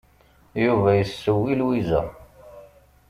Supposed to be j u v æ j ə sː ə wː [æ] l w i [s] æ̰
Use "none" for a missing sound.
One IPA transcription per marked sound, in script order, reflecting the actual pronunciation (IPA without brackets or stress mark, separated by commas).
i, z